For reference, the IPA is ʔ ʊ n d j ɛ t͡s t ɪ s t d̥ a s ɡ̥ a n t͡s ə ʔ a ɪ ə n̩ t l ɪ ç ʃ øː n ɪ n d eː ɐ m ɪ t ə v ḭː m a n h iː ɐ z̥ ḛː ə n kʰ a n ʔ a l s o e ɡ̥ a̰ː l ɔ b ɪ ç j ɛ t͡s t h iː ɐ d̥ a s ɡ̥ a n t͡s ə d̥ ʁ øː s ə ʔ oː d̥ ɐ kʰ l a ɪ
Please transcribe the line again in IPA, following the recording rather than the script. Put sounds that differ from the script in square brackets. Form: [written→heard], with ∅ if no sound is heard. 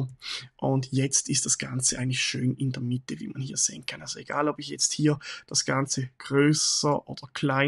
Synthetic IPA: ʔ ʊ n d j ɛ t͡s t ɪ s t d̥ a s ɡ̥ a n t͡s ə ʔ a ɪ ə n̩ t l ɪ ç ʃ øː n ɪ n d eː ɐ m ɪ t ə v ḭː m a n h iː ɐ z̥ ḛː ə n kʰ a n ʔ a l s o e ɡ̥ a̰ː l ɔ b ɪ ç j ɛ t͡s t h iː ɐ d̥ a s ɡ̥ a n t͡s ə [d̥→ɡ̥] ʁ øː s ə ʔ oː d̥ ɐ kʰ l a ɪ